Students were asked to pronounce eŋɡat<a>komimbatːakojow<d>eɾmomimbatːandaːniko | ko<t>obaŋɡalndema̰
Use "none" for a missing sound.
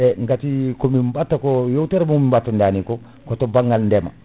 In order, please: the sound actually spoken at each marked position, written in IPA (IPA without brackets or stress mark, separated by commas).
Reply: i, t, t